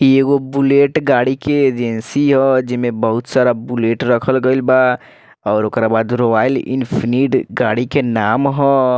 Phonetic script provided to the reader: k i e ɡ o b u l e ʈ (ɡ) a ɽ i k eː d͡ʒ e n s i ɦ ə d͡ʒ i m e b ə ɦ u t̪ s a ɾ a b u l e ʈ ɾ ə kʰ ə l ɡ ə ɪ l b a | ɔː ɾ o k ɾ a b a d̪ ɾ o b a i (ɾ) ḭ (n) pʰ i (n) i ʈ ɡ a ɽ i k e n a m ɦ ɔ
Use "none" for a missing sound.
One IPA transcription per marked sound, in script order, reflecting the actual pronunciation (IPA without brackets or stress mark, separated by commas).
ɡ, l, n, n